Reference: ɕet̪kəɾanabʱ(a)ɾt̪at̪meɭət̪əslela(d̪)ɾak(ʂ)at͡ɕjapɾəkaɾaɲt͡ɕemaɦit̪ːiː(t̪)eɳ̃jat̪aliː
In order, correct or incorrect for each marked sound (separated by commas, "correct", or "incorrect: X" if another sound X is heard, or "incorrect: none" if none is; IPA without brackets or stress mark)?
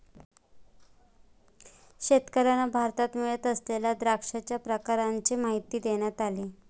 correct, correct, correct, incorrect: d̪